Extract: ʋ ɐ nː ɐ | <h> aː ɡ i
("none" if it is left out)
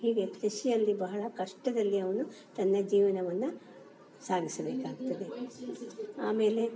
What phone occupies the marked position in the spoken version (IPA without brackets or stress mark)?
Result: s